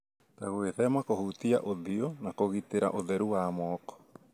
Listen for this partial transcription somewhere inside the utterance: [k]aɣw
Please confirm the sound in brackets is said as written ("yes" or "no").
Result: no